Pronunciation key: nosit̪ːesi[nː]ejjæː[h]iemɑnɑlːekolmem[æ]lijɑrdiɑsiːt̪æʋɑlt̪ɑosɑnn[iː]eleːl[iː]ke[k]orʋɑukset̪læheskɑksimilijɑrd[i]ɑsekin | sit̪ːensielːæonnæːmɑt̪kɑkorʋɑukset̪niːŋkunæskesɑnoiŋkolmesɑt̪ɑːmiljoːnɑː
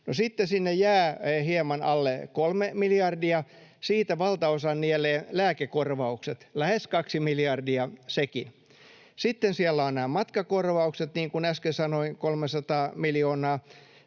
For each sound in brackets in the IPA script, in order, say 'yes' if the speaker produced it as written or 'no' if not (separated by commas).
yes, yes, no, no, no, yes, yes